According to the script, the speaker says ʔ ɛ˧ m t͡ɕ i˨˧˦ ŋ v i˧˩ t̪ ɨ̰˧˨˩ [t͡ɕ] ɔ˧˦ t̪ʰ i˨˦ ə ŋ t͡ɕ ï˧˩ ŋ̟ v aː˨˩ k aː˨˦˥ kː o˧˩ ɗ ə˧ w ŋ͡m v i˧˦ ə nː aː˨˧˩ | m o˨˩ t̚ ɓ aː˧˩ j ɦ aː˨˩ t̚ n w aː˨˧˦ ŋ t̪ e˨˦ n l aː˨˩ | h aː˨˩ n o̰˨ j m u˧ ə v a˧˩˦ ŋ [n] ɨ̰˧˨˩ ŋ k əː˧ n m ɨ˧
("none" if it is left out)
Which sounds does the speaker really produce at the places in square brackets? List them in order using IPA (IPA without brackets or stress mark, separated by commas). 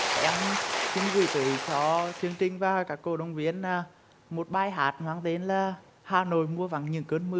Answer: t͡ɕ, ɲ